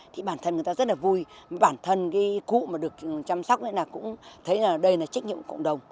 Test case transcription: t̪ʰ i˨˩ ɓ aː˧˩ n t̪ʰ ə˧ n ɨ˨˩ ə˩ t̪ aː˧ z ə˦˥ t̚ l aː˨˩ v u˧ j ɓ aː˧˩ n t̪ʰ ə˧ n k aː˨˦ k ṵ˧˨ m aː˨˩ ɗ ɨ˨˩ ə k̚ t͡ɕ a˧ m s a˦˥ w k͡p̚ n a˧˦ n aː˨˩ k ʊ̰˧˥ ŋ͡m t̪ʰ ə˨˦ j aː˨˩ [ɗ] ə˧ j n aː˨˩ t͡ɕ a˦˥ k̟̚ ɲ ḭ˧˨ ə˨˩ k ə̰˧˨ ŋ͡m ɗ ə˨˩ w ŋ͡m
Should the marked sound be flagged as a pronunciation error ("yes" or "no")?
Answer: no